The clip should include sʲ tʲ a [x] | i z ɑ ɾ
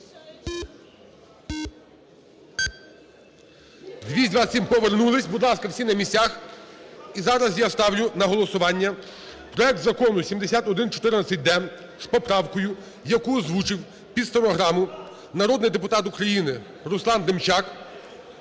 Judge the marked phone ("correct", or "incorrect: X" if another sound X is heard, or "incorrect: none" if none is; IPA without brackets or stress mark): correct